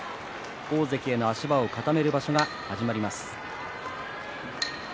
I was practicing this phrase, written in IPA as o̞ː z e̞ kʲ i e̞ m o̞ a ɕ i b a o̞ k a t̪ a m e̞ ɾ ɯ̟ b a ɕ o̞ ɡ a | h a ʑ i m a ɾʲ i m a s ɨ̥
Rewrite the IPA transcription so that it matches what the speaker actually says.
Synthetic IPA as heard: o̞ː z e̞ kʲ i e̞ n o̞ a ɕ i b a o̞ k a t̪ a m e̞ ɾ ɯ̟ b a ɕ o̞ ɡ a | h a ʑ i m a ɾʲ i m a s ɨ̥